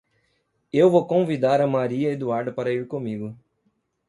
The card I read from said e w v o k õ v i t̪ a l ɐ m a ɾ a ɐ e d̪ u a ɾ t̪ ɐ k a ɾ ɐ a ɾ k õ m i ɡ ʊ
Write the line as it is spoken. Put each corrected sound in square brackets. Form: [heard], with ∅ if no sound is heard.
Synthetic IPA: e w v o k õ v i [d̪] a [ɾ] ɐ m a ɾ [i] ɐ e d̪ u a ɾ [d̪] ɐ [p] a ɾ ɐ [i] ɾ k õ m i ɡ ʊ